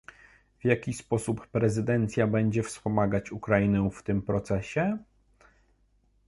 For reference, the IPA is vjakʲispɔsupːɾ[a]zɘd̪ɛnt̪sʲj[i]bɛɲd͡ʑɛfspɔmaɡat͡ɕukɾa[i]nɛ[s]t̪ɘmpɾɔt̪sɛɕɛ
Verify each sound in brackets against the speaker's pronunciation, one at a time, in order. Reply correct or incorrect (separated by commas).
incorrect, incorrect, correct, incorrect